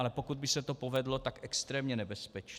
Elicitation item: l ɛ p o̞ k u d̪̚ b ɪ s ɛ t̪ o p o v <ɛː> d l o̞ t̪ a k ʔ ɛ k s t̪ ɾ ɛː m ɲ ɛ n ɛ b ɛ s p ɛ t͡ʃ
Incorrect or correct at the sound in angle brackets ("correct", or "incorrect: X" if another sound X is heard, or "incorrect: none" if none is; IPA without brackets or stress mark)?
incorrect: ɛ